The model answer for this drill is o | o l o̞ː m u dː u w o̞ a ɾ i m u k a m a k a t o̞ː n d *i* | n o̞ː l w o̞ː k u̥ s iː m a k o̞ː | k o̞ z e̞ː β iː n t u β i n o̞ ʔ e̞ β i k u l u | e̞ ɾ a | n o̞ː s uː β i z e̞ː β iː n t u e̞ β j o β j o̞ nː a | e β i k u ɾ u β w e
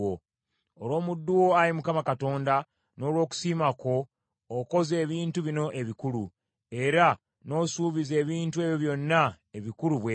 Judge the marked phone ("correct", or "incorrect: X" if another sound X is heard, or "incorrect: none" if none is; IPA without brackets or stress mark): incorrect: a